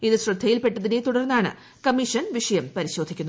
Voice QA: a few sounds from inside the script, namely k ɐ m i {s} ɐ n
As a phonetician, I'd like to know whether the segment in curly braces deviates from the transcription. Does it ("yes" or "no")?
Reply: yes